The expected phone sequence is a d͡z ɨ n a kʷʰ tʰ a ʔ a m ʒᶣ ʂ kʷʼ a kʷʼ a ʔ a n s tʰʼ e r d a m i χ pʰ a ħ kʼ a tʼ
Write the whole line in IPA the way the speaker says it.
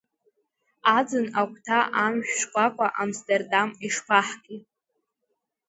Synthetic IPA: a d͡z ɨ n a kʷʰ tʰ a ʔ a m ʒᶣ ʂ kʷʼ a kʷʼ a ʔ a m s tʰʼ e r d a m i ʂ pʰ a ħ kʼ i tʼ